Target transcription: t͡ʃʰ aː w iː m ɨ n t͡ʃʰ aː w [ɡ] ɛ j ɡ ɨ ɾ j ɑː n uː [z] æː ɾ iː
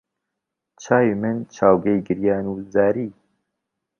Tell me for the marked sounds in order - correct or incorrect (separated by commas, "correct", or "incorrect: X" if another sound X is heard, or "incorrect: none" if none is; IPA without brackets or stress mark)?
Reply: correct, correct